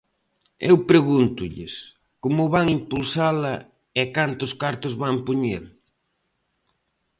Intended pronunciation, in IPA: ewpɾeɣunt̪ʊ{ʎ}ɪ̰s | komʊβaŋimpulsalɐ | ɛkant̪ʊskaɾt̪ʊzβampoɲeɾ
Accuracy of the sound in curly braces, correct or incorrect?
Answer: correct